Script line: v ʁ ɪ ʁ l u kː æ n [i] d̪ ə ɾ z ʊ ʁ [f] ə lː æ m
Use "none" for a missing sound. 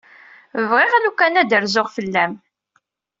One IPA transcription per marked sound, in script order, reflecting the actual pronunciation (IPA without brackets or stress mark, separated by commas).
æ, f